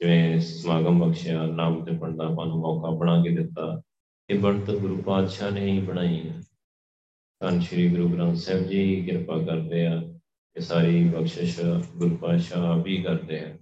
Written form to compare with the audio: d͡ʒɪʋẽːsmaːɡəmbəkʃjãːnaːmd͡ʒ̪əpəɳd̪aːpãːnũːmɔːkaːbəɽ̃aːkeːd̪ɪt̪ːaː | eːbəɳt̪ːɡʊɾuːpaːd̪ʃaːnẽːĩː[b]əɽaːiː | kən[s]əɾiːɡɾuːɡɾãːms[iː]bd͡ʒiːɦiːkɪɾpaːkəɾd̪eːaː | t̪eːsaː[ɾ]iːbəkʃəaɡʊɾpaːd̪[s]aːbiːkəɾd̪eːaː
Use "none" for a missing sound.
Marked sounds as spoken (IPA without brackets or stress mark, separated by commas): b, ʃ, ɛː, ɾ, ʃ